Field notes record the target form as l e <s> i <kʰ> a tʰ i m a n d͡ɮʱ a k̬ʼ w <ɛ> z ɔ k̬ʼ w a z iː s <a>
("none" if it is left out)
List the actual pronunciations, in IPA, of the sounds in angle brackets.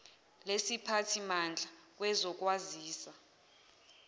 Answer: s, pʰ, ɛ, a

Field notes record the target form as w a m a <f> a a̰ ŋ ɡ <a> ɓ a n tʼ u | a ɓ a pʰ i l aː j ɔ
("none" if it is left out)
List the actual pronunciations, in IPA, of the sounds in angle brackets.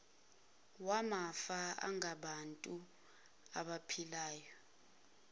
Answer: f, a

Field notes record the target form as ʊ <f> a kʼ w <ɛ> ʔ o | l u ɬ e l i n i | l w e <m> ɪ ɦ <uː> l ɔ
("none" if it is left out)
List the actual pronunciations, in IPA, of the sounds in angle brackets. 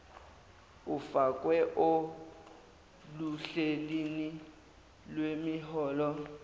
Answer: f, ɛ, m, ɔː

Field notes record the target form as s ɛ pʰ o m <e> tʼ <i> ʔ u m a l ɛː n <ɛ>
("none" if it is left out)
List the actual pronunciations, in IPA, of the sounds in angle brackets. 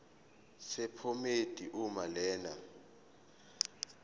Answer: e, i, a

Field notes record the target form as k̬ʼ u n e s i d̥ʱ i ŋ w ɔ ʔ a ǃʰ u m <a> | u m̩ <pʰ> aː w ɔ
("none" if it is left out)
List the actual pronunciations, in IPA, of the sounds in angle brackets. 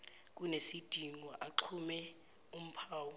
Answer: ɛ, pʰ

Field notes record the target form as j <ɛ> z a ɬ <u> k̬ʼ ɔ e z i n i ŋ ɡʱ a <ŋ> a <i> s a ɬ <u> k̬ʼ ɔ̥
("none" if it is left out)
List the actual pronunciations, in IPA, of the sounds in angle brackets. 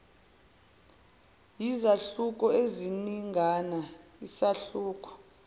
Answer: i, u, n, i, uː

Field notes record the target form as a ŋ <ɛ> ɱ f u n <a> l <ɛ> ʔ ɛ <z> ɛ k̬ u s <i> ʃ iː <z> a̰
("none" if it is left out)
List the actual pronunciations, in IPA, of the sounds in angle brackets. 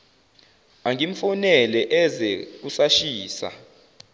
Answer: i, ɛ, ɛ, z, a, s

